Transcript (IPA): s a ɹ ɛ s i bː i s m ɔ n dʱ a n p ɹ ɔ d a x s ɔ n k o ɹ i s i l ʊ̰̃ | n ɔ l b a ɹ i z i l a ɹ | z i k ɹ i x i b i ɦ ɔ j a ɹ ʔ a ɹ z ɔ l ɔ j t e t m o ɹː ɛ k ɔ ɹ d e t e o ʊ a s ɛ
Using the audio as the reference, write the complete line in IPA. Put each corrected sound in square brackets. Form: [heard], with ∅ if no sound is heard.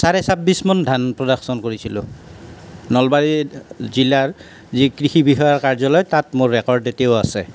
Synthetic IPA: s a ɹ ɛ s [a] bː i s m ɔ n dʱ a n p ɹ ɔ d a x s ɔ n k o ɹ i s i l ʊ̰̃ | n ɔ l b a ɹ i z i l a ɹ | z i k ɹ i x i b i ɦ ɔ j a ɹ [k] a ɹ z ɔ l ɔ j t [a] t m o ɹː ɛ k ɔ ɹ d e t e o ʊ a s ɛ